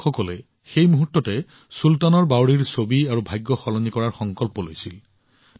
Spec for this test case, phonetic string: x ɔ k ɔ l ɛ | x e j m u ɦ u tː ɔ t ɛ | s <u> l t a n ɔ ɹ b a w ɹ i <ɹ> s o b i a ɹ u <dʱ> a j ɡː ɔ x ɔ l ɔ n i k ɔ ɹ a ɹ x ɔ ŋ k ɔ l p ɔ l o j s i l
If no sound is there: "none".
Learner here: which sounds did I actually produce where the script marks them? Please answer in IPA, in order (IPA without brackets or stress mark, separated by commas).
u, ɹ, bʱ